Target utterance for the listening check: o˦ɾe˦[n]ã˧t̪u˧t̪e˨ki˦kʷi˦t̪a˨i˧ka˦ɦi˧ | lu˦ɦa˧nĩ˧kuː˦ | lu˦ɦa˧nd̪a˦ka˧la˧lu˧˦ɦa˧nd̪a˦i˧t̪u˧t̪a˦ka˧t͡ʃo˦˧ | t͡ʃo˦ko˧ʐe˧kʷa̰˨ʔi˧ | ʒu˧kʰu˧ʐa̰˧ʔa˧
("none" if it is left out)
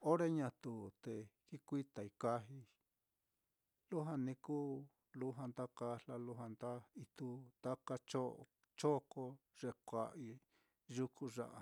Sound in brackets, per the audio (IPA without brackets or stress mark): ɲ